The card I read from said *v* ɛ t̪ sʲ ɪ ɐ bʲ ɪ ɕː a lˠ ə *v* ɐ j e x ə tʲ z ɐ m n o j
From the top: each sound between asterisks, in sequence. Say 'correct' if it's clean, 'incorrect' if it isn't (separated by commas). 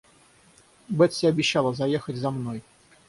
incorrect, incorrect